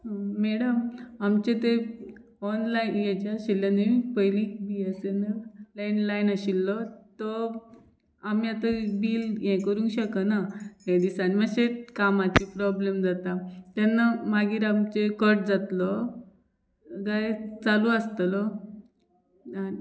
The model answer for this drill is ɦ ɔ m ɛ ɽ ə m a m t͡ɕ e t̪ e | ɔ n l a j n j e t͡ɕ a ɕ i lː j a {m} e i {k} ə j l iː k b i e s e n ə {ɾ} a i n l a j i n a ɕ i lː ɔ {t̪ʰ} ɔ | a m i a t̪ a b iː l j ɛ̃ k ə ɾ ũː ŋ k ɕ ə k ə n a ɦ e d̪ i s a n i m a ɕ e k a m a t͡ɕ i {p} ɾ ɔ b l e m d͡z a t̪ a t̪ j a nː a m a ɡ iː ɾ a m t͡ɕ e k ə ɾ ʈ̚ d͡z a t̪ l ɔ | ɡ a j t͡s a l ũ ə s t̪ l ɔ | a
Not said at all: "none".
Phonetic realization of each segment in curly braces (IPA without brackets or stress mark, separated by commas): n, p, l, t̪, p